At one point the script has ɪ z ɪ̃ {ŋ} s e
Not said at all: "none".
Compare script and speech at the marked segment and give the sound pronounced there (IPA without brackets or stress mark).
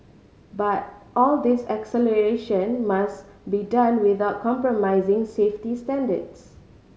ŋ